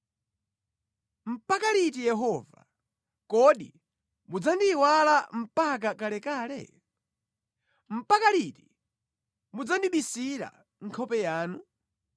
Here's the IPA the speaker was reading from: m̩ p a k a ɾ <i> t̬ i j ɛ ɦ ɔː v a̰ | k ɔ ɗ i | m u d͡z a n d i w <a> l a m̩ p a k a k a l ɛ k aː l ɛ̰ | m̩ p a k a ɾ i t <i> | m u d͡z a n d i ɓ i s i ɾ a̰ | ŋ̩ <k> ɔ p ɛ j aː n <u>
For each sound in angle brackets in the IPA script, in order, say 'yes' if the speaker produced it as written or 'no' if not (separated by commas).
yes, yes, yes, no, yes